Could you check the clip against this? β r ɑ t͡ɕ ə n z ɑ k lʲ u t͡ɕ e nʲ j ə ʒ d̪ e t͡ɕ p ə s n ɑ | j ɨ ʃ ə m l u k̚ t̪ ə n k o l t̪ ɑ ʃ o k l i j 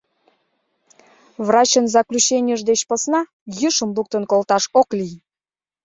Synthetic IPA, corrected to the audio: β r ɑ t͡ɕ ə n z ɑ k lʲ u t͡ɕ e nʲ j ə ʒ d̪ e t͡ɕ p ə s n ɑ | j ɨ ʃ ə m l u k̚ t̪ ə n k o l t̪ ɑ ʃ o k l i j